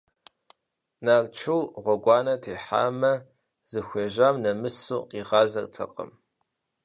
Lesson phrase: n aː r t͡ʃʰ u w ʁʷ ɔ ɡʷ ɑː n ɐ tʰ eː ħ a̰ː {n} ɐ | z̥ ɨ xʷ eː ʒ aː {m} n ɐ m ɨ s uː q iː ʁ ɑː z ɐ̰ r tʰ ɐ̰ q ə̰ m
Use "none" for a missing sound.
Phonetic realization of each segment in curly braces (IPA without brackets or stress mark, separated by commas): m, m